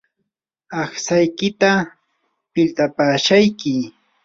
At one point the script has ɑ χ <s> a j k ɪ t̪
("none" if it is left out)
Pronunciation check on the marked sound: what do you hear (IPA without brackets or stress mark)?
s